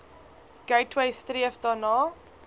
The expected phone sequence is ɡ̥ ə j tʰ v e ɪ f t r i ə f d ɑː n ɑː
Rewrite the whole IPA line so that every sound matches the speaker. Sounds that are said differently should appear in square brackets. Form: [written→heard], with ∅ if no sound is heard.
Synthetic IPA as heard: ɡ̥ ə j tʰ [v→w] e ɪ [f→s] t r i ə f d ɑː n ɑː

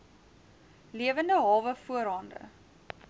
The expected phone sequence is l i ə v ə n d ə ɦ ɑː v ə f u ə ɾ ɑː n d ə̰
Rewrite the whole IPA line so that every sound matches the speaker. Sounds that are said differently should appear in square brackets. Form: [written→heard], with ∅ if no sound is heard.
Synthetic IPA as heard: l i ə v ə n d ə ɦ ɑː v ə f u ə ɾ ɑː n d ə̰

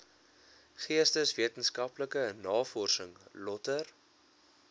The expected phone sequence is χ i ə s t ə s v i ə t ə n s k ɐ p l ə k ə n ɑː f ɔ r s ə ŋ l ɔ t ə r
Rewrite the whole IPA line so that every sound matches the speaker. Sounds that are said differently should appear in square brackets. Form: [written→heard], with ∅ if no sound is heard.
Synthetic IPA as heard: χ i ə s t ə s v i ə t ə n s k ɐ p l ə k ə n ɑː f ɔ r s ə ŋ l ɔ t ə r

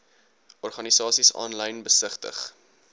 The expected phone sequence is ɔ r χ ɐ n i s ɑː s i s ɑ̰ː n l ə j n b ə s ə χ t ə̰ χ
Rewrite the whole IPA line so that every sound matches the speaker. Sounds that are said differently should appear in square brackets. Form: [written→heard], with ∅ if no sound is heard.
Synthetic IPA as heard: ɔ r χ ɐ n i s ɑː s i s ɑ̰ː n l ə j n b ə s ə χ t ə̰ χ

